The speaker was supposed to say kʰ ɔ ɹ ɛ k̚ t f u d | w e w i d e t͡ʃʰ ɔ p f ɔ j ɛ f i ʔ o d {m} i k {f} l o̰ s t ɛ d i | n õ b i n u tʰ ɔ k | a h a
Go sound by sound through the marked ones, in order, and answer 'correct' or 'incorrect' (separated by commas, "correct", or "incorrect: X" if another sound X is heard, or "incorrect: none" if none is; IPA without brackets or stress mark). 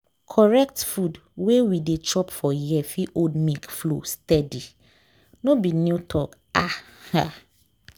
correct, correct